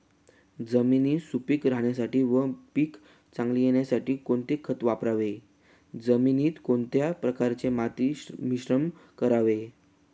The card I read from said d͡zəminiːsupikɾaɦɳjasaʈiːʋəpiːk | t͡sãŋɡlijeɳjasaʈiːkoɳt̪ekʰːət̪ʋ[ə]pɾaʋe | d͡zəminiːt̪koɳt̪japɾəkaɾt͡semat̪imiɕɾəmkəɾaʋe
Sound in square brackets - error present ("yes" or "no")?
yes